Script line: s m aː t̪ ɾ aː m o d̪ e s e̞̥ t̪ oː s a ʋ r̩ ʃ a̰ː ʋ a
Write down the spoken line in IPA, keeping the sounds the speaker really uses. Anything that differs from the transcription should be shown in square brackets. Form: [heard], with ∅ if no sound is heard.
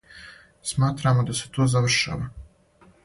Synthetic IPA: s m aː t̪ ɾ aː m o d̪ [a] s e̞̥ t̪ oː [z] a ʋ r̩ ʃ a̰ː ʋ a